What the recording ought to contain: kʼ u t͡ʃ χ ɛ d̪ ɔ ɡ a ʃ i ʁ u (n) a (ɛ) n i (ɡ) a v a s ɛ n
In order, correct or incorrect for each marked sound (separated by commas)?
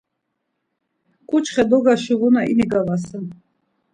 correct, incorrect, correct